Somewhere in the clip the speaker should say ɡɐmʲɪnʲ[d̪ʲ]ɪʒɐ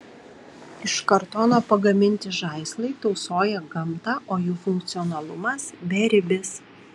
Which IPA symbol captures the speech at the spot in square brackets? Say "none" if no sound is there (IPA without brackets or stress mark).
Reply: t̪ʲ